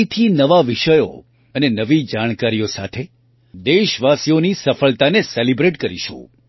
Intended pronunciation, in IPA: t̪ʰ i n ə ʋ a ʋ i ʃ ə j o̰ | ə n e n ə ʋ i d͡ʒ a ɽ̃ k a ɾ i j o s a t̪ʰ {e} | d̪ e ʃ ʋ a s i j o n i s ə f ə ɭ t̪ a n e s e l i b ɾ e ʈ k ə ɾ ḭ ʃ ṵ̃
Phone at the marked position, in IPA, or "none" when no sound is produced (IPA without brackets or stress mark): e